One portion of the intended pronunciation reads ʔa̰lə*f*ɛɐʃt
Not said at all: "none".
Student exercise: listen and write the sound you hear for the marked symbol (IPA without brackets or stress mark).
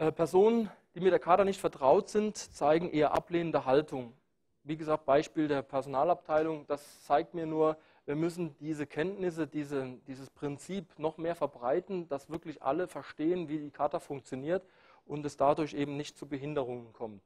f